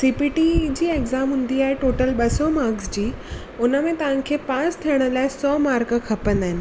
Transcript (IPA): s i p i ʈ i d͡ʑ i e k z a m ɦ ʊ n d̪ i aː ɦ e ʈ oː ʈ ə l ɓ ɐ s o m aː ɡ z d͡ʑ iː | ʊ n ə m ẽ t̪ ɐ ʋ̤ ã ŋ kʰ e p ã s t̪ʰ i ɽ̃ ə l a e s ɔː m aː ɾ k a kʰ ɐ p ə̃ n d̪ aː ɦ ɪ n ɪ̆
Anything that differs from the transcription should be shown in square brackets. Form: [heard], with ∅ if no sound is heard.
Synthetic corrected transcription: s i p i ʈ i d͡ʑ [iː] e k z a m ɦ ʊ n d̪ i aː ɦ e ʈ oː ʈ ə l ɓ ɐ s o m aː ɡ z d͡ʑ iː | ʊ n ə m ẽ t̪ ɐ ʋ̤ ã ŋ kʰ e p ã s t̪ʰ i ɽ̃ ə l a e s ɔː m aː ɾ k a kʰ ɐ p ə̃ n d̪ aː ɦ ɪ n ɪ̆